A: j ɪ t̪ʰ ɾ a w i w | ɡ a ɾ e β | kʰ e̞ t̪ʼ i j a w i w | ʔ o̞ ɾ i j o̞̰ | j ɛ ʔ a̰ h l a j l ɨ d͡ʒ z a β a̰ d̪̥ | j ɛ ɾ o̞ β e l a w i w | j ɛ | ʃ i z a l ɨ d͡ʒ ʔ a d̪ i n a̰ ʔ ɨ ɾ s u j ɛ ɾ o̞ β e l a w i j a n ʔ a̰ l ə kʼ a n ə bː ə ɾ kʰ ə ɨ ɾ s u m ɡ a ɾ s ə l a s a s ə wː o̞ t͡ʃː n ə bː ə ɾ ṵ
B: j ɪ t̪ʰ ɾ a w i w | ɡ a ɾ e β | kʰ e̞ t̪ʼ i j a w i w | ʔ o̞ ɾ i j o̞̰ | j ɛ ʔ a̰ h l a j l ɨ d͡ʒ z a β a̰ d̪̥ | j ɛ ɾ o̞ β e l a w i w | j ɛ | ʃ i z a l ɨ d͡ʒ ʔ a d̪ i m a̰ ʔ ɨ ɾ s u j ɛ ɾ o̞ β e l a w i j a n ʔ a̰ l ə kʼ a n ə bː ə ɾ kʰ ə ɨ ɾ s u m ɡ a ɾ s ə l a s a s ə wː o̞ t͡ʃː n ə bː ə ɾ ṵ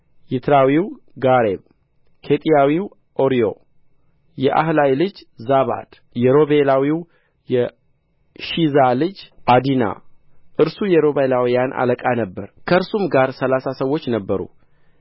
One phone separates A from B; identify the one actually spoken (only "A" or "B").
A